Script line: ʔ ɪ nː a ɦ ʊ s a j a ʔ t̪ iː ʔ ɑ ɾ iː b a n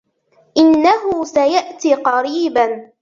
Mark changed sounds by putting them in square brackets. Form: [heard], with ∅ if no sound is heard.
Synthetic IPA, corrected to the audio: ʔ ɪ nː a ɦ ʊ s a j a ʔ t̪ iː [q] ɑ ɾ iː b a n